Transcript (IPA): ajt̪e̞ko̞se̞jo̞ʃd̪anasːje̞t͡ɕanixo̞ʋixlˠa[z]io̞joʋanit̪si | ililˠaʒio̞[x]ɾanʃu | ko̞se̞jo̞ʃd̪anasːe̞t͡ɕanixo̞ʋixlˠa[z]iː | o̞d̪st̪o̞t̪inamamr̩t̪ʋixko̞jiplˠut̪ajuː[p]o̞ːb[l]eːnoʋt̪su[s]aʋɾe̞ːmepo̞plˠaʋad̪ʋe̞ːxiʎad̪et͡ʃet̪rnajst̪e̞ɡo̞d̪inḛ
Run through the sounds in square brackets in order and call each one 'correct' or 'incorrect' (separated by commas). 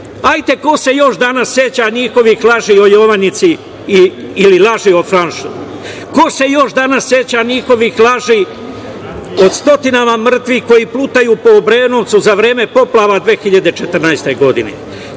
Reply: incorrect, incorrect, incorrect, correct, incorrect, incorrect